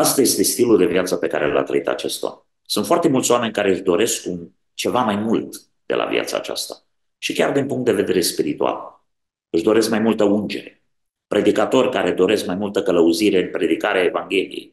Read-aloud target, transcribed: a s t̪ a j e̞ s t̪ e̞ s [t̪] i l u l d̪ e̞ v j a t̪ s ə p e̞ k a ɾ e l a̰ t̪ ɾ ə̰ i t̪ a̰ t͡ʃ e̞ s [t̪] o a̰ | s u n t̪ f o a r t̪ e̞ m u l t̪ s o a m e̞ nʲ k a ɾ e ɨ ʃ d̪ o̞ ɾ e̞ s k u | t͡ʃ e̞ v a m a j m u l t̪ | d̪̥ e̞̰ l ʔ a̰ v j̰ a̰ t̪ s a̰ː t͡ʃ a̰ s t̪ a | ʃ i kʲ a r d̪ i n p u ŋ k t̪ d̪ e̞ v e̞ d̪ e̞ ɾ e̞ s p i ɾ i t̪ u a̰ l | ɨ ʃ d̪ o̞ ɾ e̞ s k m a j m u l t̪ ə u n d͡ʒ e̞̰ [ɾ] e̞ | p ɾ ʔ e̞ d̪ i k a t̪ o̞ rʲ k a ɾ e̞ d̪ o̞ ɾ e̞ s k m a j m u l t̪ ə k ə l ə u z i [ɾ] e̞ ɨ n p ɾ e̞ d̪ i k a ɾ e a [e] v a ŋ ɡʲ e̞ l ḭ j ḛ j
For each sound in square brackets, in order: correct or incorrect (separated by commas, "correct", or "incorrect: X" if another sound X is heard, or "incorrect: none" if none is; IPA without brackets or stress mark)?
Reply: correct, correct, correct, correct, correct